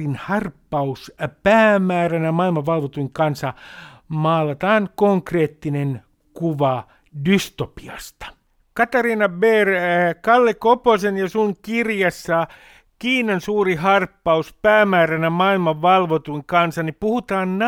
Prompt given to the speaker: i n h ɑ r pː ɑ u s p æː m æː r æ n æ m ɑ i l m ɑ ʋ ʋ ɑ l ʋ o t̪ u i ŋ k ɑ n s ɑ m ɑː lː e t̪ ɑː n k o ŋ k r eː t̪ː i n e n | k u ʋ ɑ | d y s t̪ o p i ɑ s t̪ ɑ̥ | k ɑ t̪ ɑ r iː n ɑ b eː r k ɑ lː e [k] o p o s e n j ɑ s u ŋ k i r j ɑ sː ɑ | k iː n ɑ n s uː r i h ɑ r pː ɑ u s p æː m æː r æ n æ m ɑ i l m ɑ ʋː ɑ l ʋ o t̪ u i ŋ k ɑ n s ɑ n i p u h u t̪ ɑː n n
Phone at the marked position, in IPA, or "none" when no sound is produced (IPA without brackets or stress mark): k